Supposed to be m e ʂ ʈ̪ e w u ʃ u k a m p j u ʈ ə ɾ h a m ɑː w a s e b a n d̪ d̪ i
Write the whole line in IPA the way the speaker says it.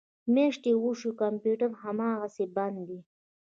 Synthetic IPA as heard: m e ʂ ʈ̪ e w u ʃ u k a m p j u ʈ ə ɾ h a m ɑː ɣ a s e b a n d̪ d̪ i